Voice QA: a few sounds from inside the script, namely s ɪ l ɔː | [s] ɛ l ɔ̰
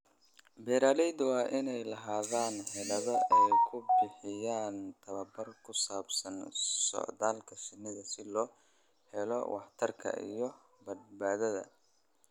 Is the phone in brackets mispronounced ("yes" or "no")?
yes